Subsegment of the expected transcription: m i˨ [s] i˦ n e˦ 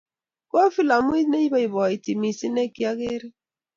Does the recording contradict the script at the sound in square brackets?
no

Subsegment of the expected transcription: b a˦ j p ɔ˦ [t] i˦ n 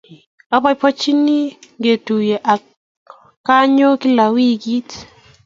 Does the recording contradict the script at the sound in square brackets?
yes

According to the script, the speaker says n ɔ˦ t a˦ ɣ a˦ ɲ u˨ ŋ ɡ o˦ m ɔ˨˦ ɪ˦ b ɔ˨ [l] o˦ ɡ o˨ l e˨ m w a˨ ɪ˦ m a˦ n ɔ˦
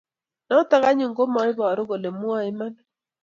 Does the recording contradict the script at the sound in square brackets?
yes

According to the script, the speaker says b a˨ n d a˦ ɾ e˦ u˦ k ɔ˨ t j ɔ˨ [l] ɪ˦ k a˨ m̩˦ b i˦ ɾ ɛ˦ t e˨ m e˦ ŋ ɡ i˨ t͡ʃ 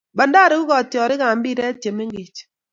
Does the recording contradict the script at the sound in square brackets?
yes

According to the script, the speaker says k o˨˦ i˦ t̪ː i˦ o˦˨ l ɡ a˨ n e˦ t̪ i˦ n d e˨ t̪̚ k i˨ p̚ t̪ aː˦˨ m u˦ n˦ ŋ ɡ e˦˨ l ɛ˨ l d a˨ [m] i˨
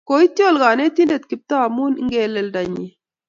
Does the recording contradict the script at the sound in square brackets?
yes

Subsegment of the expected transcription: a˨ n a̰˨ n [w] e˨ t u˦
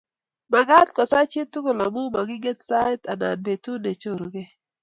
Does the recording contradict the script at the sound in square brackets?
yes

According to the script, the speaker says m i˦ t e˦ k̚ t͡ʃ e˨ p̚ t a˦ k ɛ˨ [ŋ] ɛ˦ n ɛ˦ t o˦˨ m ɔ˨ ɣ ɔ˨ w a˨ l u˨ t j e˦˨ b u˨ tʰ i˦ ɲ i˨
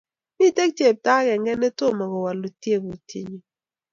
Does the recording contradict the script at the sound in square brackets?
no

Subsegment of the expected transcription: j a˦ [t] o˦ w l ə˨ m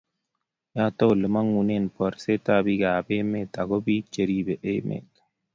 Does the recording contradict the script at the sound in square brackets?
no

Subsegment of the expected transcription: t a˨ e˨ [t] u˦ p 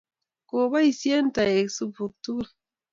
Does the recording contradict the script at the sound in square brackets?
yes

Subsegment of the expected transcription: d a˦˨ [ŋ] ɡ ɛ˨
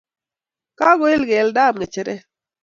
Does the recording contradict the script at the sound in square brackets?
yes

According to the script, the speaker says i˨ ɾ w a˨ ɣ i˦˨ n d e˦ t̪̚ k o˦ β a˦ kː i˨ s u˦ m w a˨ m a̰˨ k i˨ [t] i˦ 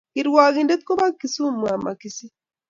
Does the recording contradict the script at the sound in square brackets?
yes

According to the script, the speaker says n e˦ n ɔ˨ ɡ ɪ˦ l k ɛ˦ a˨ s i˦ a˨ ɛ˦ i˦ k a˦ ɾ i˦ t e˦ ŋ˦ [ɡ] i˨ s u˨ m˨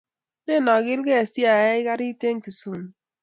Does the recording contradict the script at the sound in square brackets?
yes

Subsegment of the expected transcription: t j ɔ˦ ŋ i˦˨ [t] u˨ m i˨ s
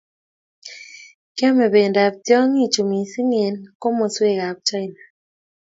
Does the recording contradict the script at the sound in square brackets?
yes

